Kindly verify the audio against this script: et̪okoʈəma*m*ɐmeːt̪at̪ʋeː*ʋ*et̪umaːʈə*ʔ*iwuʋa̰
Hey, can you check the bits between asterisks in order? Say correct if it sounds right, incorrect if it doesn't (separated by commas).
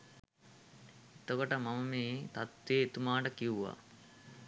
correct, incorrect, incorrect